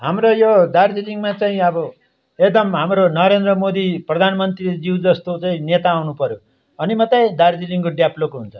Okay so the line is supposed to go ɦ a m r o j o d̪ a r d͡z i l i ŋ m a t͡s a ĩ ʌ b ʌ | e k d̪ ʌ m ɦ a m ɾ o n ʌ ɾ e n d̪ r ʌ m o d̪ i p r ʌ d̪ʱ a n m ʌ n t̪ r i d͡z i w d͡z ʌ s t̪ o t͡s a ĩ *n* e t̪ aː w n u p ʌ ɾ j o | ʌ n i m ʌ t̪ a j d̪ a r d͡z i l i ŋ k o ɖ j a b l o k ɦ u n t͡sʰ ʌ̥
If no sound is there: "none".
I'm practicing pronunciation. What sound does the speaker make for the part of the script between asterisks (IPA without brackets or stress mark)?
n